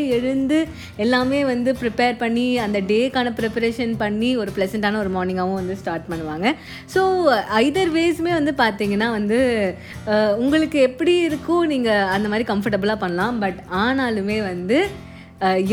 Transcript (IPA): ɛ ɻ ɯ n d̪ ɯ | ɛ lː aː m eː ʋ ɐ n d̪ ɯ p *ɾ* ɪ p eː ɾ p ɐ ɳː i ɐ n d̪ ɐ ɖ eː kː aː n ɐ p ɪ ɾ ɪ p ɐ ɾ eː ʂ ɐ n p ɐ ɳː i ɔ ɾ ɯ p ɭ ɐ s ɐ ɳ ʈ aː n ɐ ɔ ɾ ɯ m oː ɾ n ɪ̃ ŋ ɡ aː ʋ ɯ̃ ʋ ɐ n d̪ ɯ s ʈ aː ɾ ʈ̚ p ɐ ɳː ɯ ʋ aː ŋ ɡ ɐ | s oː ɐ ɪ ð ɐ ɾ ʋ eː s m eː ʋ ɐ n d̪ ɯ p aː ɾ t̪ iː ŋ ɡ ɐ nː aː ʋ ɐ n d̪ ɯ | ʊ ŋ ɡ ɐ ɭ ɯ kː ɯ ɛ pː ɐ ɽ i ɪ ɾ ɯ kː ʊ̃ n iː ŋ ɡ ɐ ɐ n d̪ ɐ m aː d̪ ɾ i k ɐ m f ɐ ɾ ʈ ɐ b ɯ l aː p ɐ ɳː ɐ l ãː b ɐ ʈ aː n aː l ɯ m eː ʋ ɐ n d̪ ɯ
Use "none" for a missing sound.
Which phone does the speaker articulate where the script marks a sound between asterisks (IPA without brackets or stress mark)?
ɾ